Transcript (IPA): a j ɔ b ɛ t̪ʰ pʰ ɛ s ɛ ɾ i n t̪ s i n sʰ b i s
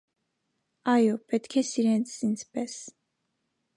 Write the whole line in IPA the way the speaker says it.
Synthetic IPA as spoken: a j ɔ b ɛ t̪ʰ kʰ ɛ s i ɾ ɛ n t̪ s i n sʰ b ɛ s